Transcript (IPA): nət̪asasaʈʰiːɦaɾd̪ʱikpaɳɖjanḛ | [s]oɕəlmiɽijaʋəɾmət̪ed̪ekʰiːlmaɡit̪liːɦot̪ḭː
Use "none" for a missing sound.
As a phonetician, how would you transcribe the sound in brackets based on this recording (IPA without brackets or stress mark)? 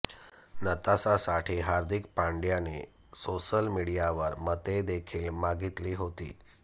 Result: s